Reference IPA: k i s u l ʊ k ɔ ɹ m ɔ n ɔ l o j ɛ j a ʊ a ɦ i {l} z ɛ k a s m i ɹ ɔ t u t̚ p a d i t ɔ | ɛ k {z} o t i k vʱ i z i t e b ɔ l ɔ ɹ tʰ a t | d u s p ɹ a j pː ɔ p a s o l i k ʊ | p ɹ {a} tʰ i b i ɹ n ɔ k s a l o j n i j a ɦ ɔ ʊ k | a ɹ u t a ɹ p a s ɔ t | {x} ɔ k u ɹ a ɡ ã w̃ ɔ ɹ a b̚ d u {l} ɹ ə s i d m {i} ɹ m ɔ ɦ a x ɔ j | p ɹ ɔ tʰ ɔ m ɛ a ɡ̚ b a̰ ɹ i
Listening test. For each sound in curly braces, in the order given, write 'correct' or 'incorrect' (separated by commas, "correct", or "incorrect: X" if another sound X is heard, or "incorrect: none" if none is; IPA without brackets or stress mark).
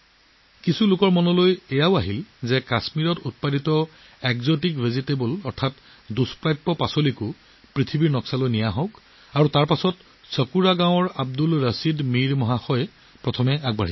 correct, correct, incorrect: i, incorrect: s, correct, correct